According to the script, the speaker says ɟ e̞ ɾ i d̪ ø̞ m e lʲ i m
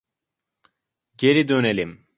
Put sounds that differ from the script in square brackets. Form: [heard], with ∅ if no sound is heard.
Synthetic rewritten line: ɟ e̞ ɾ i d̪ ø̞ [n] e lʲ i m

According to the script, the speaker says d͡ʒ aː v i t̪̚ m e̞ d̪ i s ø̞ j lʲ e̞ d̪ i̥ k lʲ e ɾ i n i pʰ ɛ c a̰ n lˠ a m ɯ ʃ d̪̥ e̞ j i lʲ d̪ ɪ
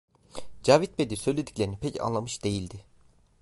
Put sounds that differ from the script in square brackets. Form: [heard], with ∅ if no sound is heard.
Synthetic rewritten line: d͡ʒ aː v i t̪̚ [b] e̞ d̪ i s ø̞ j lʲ e̞ d̪ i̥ [c] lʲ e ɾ i n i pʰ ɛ c a̰ n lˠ a m ɯ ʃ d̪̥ e̞ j i lʲ d̪ ɪ

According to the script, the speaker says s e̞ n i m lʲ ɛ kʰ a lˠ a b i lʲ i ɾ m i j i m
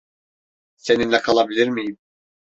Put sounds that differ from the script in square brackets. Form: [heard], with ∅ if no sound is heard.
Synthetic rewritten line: s e̞ n i [n] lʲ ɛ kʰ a lˠ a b i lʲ i ɾ m i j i m

